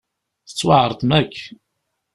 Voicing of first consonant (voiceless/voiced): voiceless